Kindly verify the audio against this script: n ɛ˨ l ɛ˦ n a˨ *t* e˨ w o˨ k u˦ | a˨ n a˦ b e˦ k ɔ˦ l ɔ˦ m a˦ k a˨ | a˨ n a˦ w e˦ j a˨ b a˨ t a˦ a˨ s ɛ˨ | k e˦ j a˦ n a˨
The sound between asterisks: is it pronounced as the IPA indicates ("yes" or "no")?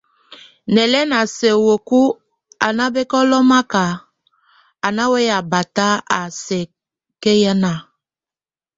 no